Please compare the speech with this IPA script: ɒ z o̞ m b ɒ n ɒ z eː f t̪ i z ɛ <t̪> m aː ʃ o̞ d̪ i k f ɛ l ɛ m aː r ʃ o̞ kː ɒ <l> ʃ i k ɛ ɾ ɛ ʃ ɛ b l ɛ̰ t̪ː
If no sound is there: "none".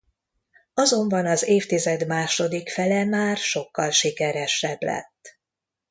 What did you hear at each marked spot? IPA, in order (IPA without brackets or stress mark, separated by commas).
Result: d̪, l